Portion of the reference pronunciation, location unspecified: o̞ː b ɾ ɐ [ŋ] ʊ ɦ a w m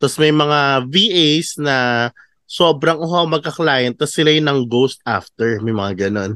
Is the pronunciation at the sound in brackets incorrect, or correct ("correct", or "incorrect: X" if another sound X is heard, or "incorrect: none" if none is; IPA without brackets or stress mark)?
correct